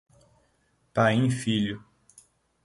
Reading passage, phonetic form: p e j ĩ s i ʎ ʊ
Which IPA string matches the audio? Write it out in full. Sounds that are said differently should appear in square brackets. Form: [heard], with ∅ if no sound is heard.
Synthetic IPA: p [a] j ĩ [f] i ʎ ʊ